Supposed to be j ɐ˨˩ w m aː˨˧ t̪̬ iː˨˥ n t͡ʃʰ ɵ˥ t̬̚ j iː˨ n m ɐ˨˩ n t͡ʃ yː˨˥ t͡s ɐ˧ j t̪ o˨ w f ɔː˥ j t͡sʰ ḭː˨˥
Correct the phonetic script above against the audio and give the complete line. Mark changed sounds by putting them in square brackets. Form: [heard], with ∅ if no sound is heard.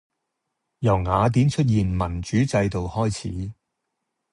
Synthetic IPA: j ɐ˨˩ w [ŋ] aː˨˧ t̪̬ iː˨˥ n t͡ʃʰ ɵ˥ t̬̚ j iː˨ n m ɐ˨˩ n t͡ʃ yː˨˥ t͡s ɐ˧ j t̪ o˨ w [h] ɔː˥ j t͡sʰ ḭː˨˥